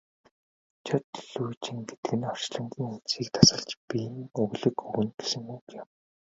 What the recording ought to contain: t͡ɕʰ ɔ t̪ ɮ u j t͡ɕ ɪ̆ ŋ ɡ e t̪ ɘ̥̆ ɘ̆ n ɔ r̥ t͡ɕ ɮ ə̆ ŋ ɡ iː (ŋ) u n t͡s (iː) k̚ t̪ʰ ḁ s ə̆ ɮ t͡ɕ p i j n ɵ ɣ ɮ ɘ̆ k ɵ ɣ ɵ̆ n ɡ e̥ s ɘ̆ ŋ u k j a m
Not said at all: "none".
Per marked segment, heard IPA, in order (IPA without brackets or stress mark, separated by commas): ŋ, iː